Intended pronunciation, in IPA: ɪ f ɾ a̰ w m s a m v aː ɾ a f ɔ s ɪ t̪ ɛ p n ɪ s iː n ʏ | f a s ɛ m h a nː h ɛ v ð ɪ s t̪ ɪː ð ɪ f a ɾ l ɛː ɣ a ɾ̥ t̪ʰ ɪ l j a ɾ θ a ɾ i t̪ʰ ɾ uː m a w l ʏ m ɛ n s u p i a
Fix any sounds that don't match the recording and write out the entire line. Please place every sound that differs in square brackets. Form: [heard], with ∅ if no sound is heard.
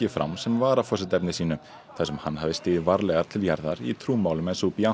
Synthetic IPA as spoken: ɪ f ɾ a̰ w m s [ɛ] m v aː ɾ a f ɔ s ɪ t̪ ɛ p n ɪ s iː n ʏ | [θ] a s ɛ m h a nː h [a] v ð ɪ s t̪ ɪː ð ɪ [v] a ɾ l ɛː ɣ a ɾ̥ t̪ʰ ɪ l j a ɾ [ð] a ɾ i t̪ʰ ɾ uː m a w l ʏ m ɛ n s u p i a